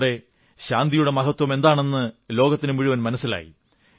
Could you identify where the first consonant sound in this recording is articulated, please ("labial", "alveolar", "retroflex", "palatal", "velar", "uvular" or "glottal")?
retroflex